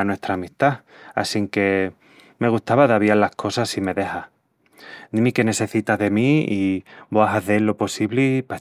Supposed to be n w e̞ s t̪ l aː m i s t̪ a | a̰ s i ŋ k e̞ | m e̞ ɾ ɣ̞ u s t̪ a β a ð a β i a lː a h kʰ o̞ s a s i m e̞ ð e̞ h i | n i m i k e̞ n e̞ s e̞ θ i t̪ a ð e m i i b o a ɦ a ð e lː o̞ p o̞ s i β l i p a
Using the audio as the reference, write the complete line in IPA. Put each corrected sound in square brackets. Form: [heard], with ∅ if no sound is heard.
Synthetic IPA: n w e̞ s t̪ [ɾ] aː m i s t̪ a | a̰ s i ŋ k e̞ | m e̞ [∅] ɣ̞ u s t̪ a β a ð a β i a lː a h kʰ o̞ s a s i m e̞ ð e̞ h [a] | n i m i k e̞ n e̞ s e̞ θ i t̪ a ð e m i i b o a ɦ a [θ] e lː o̞ p o̞ s i β l i p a